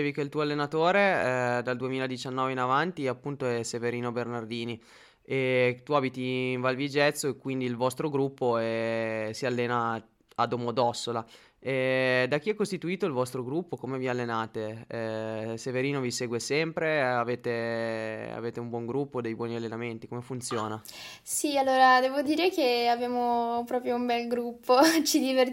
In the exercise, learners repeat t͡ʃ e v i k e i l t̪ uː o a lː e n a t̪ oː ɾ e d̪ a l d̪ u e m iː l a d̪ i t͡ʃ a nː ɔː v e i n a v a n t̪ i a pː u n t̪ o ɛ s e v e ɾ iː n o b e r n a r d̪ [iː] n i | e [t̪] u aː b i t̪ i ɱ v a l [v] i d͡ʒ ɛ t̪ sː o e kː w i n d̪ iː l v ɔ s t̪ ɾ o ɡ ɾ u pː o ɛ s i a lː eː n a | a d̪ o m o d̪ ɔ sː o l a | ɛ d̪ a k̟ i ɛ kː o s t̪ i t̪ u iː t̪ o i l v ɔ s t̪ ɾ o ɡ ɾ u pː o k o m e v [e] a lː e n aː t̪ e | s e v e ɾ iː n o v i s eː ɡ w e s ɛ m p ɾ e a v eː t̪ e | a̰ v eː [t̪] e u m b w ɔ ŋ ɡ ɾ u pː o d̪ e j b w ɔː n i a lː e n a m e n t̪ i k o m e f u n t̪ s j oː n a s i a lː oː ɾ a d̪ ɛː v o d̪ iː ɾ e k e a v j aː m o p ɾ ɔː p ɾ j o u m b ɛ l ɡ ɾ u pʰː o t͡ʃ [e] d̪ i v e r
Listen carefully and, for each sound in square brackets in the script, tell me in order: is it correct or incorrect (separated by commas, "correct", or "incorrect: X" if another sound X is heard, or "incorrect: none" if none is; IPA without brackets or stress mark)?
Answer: correct, correct, correct, incorrect: i, correct, incorrect: i